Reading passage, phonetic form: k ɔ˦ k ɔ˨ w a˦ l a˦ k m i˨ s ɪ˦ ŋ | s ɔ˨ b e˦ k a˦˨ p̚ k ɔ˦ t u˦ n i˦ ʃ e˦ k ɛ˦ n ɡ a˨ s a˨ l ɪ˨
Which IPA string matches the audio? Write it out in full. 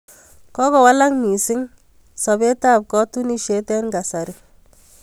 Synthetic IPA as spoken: k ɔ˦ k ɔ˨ w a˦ l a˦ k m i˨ s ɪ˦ ŋ | s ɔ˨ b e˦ t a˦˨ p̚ k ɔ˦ t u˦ n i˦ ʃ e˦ t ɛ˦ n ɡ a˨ s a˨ ɾ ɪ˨